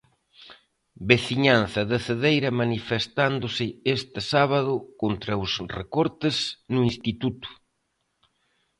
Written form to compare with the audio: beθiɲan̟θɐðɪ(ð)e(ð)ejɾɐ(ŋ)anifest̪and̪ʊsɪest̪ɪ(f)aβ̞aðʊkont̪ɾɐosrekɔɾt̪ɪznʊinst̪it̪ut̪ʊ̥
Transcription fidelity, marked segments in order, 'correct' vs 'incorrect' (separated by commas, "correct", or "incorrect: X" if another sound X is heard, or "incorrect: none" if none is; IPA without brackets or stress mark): incorrect: θ, correct, incorrect: m, incorrect: s